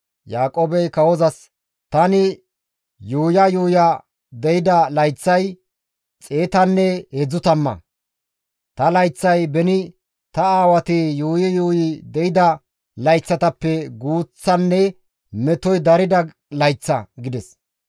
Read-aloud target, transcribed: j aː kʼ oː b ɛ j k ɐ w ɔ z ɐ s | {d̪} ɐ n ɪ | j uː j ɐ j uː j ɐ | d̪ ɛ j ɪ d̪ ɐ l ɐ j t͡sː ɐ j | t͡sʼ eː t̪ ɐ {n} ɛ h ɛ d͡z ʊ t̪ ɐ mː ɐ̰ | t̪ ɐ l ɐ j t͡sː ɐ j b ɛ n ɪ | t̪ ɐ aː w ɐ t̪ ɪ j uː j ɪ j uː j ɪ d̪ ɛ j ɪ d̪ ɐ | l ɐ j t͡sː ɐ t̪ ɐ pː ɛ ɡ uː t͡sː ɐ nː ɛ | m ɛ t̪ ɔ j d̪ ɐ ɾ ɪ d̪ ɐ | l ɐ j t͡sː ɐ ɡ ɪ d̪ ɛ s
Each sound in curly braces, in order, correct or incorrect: incorrect: t̪, incorrect: nː

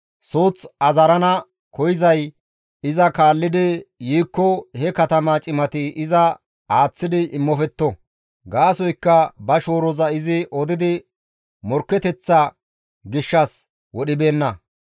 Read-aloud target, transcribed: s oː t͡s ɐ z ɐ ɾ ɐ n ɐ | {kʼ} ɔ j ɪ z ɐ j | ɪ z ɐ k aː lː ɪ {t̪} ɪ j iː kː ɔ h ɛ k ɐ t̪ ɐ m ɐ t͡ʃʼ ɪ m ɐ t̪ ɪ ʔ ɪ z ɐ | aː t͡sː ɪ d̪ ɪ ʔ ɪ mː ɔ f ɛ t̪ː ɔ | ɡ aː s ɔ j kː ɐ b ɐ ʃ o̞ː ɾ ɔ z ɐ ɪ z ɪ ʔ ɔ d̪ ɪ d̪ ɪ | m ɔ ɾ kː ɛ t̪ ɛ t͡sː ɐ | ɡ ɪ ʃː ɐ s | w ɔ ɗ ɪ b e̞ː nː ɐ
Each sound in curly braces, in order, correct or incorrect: incorrect: k, incorrect: d̪

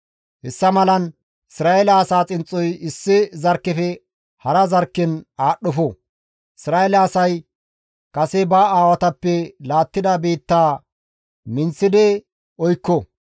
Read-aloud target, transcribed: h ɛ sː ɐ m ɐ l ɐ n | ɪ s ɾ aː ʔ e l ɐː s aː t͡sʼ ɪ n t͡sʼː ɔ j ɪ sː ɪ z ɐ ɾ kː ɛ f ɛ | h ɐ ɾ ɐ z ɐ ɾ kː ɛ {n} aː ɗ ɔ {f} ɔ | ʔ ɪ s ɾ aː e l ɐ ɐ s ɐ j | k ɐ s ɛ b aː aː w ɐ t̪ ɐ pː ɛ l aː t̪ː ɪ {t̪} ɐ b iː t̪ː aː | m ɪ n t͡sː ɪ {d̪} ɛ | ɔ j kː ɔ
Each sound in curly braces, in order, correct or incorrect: correct, correct, incorrect: d̪, correct

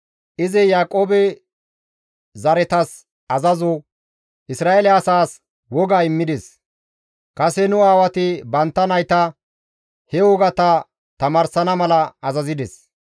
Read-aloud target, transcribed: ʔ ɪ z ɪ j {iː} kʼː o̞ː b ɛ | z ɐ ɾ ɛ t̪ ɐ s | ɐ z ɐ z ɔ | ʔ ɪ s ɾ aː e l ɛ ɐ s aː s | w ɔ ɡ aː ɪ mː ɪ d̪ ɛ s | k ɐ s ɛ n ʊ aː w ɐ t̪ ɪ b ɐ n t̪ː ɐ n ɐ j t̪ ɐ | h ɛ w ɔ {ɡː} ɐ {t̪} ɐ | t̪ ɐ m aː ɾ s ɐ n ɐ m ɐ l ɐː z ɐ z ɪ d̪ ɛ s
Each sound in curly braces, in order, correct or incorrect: incorrect: aː, incorrect: ɡ, correct

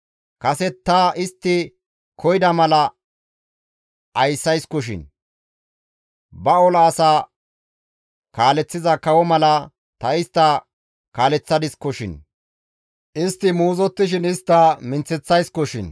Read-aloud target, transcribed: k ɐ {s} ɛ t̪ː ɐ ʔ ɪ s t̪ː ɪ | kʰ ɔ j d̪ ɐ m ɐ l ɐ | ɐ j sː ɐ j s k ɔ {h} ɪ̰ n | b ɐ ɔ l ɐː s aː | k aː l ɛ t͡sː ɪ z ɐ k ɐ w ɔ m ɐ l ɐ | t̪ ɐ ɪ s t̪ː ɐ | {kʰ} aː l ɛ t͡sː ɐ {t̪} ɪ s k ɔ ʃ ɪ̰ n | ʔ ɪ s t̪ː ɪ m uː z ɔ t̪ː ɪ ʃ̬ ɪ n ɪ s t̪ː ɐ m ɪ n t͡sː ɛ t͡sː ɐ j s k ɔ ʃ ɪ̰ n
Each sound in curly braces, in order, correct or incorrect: correct, incorrect: ʃ, incorrect: k, incorrect: d̪

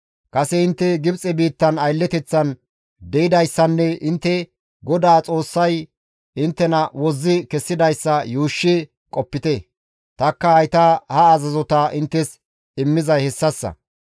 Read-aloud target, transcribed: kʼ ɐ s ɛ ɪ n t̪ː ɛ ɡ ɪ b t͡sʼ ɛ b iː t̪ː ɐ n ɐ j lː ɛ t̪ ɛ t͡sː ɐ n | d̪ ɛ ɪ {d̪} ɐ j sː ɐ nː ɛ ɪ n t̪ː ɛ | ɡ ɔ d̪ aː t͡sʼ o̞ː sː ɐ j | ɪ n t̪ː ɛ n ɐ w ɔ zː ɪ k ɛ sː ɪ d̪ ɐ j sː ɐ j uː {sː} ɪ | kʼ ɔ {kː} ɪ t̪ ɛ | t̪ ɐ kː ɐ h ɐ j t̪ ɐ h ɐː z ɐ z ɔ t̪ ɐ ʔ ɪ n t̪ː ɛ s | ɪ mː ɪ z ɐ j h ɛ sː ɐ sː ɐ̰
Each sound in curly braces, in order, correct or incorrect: correct, incorrect: ʃː, incorrect: pː

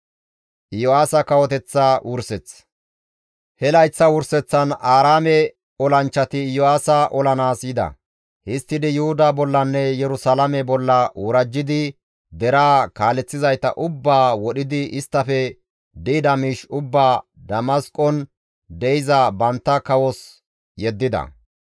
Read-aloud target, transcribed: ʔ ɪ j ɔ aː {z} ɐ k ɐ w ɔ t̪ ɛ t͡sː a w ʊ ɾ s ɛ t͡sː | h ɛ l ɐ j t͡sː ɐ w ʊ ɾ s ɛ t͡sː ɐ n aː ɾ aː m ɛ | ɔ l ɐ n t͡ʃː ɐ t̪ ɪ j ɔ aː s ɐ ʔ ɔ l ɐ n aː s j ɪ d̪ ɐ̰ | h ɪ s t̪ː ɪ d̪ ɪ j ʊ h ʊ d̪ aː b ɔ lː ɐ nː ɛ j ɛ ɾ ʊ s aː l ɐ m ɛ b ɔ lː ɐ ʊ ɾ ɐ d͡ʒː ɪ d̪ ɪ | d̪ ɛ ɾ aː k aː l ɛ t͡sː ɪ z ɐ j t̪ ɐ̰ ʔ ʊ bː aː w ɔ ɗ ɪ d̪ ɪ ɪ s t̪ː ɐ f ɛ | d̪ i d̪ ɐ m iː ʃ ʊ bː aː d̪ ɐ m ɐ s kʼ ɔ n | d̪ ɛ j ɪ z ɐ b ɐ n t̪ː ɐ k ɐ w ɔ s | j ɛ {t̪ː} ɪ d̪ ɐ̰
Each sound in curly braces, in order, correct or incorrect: incorrect: s, incorrect: d̪ː

